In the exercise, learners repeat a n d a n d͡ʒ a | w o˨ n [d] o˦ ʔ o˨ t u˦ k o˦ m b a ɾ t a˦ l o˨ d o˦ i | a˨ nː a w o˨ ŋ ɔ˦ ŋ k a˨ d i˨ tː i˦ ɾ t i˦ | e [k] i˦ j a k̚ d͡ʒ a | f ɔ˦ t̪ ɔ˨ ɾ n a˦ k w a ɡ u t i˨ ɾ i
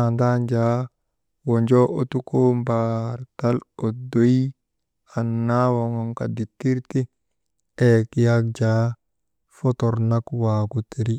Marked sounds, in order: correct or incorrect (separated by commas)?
incorrect, correct